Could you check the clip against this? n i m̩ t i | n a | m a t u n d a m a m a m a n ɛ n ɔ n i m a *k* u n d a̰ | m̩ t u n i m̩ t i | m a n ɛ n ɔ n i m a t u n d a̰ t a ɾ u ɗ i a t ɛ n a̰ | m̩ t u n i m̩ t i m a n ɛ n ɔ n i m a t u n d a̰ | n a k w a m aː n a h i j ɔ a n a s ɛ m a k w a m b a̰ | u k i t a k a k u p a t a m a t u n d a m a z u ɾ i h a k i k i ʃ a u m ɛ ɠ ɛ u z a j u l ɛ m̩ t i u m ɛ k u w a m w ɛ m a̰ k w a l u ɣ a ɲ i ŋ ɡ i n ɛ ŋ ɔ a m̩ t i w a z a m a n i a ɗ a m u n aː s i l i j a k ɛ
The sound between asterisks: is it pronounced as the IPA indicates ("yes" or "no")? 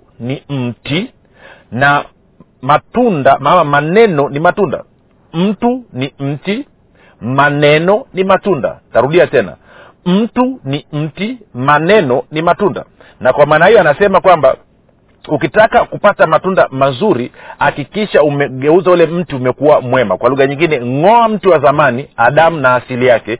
no